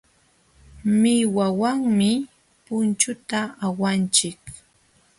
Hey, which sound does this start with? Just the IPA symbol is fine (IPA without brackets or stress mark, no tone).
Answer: m